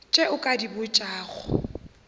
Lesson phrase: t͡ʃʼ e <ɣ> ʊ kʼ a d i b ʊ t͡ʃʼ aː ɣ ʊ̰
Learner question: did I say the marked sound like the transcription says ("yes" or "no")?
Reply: no